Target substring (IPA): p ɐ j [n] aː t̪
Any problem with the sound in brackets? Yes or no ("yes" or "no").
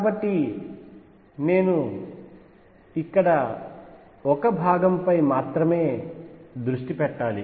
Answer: yes